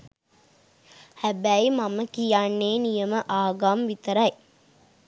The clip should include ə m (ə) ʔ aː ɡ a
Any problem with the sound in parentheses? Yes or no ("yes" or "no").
no